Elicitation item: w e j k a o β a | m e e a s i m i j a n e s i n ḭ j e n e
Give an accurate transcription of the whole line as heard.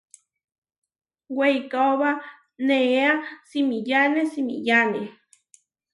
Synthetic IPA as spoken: w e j k a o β a | n e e a s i m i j a n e s i m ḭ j a n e